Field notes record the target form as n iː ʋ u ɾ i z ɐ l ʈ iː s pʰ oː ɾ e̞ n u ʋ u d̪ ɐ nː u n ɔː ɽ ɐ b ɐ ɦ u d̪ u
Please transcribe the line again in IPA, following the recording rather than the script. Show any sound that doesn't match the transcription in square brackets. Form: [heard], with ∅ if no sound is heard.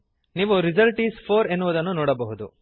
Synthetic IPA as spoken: n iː ʋ u ɾ i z ɐ l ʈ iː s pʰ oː ɾ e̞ [nː] u ʋ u d̪ ɐ nː u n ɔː ɽ ɐ b ɐ ɦ u d̪ u